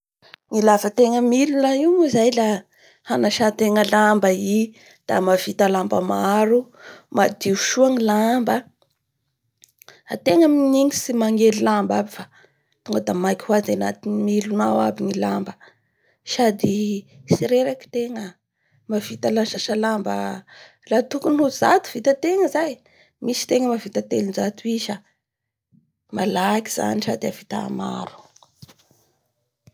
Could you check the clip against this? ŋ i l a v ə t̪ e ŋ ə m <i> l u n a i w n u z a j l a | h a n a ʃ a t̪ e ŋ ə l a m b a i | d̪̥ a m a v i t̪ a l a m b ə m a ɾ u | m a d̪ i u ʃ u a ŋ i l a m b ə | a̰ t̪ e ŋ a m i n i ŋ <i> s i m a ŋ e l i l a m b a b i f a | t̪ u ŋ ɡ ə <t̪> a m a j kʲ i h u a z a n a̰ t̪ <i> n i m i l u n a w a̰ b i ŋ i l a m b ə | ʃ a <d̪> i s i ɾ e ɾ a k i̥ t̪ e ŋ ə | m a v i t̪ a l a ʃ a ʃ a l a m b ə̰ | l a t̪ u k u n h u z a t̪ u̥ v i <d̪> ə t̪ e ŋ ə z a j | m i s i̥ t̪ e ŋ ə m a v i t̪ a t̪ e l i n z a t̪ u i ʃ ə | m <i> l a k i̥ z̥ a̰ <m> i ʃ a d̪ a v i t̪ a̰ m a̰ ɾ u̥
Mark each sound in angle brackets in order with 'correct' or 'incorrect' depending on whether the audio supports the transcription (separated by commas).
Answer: correct, correct, incorrect, correct, correct, incorrect, incorrect, incorrect